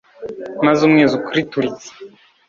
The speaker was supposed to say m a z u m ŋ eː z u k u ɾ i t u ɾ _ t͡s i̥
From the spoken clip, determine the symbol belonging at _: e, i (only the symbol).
i